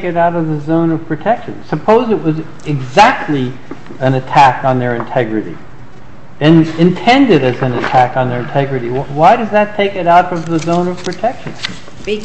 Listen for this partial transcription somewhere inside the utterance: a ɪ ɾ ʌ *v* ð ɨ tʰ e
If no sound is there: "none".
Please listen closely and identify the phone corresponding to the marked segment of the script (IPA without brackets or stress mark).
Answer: z